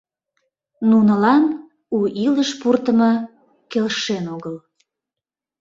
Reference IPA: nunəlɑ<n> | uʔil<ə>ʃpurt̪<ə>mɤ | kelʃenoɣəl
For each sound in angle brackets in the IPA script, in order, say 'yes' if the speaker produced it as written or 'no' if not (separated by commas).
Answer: yes, yes, yes